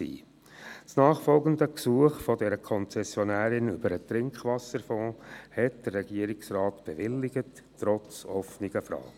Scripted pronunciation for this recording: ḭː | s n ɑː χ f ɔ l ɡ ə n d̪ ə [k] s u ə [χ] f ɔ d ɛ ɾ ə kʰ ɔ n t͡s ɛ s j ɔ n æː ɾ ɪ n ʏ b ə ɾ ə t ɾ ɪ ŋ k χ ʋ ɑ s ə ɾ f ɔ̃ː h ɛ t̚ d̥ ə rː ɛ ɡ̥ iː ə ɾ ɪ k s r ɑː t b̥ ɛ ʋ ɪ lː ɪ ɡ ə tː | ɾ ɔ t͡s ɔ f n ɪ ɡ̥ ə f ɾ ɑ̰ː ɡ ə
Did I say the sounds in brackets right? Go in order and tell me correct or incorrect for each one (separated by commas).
correct, correct